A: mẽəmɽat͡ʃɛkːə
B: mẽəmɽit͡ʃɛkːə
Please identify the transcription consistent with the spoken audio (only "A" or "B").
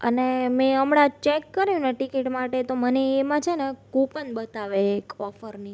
A